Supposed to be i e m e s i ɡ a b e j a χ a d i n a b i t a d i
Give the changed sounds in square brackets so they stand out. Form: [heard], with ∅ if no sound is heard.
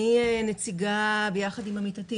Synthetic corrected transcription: i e [n] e [t͡s] i ɡ a b e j a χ a d i [m] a [m] i t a [t] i